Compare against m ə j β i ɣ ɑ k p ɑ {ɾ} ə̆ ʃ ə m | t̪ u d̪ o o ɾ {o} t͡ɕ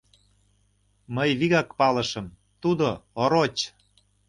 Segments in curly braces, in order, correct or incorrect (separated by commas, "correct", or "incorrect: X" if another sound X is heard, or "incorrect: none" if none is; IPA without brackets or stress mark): incorrect: l, correct